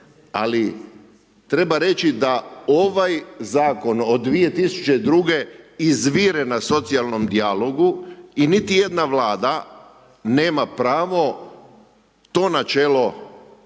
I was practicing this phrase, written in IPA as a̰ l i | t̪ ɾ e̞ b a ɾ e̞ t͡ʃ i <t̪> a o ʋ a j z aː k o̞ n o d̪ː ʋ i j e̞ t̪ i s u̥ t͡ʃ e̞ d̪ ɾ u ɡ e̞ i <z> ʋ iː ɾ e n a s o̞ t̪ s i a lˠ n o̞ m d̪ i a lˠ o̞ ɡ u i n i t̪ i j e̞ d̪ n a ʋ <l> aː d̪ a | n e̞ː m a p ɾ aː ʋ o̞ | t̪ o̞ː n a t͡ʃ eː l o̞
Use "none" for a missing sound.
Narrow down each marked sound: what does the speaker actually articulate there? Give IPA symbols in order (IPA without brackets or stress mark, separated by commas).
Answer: d̪, z, l